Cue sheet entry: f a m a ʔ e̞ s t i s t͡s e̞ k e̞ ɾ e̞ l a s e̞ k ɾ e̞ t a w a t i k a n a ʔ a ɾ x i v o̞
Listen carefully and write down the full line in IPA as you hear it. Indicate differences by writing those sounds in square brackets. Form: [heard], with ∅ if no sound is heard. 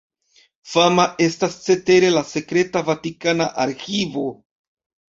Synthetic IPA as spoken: f a m a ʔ e̞ s t [a] s t͡s e̞ [t] e̞ ɾ e̞ l a s e̞ k ɾ e̞ t a [v] a t i k a n a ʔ a ɾ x i v o̞